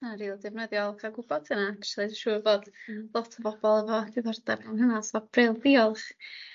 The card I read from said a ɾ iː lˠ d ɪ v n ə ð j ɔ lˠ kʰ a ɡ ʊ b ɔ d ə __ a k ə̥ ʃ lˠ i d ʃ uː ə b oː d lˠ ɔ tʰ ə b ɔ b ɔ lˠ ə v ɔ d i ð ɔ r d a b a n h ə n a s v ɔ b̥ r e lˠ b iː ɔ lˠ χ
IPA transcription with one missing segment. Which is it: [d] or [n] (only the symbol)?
n